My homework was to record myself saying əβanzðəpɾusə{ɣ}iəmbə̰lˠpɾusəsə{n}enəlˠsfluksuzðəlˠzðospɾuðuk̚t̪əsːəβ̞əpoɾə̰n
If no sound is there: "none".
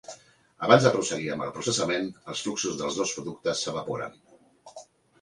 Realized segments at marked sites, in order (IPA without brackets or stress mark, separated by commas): ɣ, m